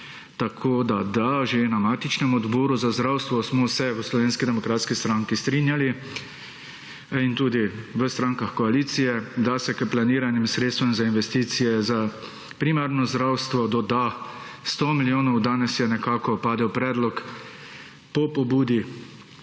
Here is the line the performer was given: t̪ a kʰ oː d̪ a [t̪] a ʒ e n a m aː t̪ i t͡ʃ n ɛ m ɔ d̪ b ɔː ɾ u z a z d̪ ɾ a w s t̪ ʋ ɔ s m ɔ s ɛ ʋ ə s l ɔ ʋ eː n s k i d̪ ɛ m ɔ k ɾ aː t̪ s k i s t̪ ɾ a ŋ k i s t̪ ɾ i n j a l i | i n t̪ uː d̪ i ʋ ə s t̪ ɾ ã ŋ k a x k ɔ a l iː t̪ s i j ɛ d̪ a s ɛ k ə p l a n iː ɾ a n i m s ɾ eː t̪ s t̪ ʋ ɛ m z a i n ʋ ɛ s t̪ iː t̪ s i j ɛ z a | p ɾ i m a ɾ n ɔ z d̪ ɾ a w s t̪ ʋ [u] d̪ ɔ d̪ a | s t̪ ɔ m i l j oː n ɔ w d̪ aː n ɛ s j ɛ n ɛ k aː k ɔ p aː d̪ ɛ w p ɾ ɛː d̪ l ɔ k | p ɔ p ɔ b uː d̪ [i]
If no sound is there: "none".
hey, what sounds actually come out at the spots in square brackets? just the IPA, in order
d̪, ɔ, i

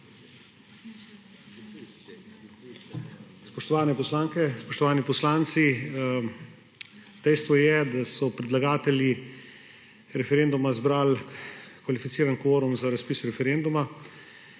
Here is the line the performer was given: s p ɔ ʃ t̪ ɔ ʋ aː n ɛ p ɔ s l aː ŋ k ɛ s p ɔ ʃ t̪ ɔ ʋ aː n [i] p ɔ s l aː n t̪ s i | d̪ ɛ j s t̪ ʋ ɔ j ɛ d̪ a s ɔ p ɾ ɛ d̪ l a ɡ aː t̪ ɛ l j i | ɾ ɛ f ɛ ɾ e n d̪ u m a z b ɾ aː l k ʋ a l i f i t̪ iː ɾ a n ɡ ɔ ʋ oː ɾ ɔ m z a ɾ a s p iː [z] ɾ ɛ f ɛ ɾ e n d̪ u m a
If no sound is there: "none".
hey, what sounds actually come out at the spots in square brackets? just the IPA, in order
i, s

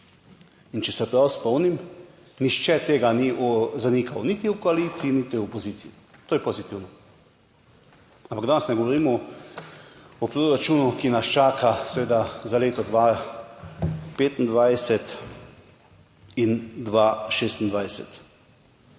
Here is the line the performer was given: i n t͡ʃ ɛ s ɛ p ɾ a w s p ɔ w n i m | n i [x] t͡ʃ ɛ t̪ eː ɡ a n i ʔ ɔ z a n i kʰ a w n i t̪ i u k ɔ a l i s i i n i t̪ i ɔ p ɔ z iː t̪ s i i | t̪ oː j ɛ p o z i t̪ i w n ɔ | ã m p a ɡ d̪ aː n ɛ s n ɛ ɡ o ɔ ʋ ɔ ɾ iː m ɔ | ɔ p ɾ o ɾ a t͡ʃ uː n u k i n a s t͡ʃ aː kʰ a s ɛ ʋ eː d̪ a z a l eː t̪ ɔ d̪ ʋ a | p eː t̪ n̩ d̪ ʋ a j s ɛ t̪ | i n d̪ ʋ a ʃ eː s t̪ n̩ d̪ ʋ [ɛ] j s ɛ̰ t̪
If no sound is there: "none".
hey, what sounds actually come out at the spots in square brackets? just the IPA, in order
ʃ, a

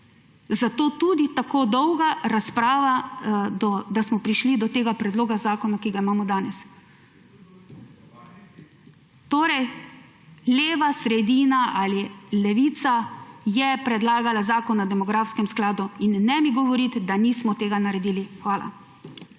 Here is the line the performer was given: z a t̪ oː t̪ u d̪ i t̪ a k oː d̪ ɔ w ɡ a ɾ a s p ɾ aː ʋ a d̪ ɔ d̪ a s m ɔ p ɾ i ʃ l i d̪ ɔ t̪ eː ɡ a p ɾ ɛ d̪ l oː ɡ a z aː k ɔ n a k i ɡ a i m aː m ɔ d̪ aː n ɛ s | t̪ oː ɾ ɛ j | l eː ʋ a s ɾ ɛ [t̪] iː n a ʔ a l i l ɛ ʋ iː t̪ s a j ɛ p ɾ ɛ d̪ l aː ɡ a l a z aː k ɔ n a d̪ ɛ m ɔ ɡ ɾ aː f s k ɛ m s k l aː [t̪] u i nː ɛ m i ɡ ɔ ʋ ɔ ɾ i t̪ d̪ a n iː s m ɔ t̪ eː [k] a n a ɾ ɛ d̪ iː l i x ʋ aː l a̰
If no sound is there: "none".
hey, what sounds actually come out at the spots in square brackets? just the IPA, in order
d̪, d̪, ɡ

